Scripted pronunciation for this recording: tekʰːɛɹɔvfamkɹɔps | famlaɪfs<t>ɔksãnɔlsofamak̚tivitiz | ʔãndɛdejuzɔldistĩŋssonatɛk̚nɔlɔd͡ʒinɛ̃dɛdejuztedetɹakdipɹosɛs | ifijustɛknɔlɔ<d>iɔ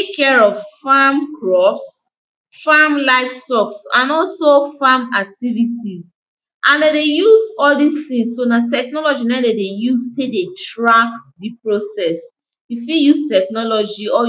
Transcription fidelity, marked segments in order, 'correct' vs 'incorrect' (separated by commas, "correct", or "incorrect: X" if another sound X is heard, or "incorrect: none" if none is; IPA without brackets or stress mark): correct, incorrect: d͡ʒ